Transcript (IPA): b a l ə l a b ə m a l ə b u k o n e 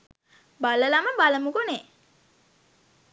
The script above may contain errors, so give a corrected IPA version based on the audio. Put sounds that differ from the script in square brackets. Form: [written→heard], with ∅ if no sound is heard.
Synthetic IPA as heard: b a l ə l a [b→m] ə [m→b] a l ə [b→m] u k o n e